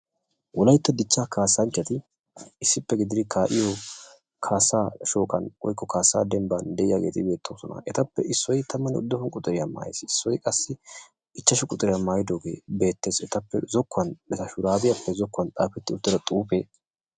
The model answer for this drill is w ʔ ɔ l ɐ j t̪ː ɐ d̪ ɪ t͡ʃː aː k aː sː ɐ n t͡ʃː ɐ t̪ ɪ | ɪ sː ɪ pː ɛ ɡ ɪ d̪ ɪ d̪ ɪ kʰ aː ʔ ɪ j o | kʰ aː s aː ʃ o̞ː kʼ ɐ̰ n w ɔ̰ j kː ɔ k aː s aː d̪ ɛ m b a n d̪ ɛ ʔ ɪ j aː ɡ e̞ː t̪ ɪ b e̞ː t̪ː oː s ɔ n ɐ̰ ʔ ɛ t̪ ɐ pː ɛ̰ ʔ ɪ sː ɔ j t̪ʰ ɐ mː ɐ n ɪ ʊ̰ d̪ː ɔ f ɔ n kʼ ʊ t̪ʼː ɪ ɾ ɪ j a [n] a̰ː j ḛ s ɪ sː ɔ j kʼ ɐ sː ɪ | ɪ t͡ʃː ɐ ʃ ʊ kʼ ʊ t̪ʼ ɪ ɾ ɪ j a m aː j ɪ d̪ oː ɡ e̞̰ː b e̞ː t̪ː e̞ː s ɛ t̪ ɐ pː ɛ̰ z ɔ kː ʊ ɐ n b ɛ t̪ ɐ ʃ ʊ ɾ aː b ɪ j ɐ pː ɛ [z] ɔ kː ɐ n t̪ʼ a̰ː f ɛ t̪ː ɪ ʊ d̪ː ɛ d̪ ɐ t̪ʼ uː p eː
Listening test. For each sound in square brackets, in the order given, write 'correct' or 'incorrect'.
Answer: incorrect: m, correct

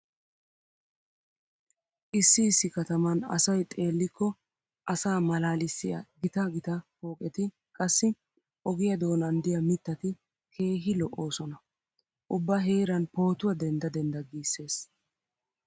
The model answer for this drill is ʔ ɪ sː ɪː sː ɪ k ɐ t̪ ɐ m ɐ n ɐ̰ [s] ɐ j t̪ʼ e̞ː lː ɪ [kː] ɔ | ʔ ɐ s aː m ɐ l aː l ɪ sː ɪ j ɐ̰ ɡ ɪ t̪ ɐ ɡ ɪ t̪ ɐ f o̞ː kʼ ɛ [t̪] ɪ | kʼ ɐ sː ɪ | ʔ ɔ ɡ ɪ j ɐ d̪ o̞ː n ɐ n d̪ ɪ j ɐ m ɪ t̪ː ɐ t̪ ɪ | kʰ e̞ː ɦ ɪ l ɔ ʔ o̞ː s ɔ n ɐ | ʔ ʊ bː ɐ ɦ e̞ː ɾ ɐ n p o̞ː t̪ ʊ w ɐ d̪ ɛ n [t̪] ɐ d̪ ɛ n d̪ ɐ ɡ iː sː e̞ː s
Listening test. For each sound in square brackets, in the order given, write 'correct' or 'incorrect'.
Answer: correct, correct, correct, incorrect: d̪

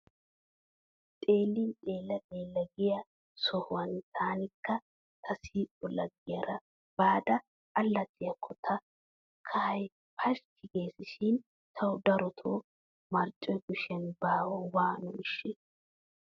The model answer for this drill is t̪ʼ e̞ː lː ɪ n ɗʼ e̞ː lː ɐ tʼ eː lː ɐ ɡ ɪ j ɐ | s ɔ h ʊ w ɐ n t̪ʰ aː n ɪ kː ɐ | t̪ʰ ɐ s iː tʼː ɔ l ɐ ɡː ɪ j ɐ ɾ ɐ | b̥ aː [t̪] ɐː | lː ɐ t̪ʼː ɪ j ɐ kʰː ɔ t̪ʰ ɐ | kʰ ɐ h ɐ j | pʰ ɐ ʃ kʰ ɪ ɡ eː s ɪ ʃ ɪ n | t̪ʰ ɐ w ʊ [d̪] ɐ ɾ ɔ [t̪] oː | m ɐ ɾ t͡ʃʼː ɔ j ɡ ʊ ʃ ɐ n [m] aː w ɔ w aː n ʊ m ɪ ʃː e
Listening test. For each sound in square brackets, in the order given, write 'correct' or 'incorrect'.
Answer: incorrect: d̪, correct, incorrect: t̪ʰ, incorrect: b

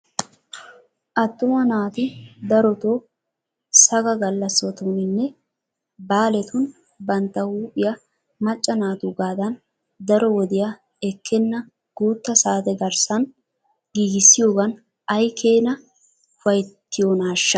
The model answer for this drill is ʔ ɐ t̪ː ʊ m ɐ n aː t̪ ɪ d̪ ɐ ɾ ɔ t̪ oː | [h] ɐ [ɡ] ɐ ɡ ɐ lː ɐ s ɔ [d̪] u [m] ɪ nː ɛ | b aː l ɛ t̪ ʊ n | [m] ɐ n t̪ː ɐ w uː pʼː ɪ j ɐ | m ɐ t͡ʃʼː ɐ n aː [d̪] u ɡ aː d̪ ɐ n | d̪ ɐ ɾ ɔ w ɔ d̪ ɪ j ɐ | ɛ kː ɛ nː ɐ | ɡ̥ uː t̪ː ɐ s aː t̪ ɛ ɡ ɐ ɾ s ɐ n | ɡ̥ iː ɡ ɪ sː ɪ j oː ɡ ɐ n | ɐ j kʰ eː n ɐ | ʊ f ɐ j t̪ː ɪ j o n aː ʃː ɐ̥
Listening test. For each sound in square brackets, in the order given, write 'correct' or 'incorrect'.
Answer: incorrect: s, correct, incorrect: t̪, incorrect: n, incorrect: b, incorrect: t̪

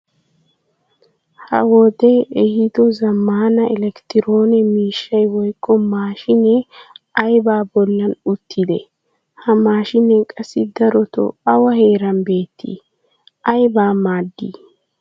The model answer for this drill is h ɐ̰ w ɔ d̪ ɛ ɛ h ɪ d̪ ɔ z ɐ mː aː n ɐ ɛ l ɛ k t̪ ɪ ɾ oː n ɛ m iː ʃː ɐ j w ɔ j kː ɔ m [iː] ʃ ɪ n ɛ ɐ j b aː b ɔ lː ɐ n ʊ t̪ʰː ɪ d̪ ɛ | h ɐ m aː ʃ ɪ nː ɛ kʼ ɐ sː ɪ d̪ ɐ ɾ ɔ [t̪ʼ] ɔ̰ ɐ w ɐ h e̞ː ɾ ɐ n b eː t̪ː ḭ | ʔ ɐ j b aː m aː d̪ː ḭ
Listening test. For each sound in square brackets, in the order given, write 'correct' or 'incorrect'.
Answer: incorrect: aː, incorrect: t̪

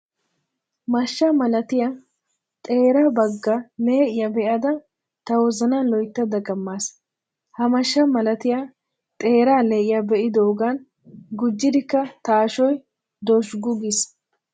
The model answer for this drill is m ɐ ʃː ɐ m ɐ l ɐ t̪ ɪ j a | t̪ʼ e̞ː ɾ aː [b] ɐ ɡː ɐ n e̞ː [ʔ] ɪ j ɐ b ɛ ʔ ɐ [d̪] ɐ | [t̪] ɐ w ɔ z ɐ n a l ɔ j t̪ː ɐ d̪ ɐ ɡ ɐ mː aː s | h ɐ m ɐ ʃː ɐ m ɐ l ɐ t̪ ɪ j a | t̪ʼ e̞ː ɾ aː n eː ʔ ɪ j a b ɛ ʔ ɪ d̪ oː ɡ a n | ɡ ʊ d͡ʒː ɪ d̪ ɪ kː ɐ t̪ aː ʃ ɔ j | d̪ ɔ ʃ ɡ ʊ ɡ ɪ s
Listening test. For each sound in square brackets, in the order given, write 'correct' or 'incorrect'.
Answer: correct, correct, correct, correct

